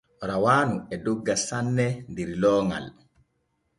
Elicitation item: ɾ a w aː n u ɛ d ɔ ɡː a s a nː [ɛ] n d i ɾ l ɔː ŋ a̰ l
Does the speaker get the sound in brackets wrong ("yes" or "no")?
no